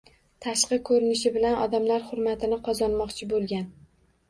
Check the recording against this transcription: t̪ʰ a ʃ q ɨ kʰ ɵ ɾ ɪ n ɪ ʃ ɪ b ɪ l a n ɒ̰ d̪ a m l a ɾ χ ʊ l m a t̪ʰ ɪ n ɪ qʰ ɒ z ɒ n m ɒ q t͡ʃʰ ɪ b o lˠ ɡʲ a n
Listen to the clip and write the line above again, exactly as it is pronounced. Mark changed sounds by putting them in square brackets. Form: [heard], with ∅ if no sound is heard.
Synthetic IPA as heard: t̪ʰ a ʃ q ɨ kʰ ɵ ɾ ɪ n ɪ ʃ ɪ b ɪ l a n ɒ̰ d̪ a m l a ɾ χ ʊ [ɾ] m a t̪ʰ ɪ n ɪ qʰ ɒ z ɒ n m ɒ q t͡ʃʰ ɪ b o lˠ ɡʲ a n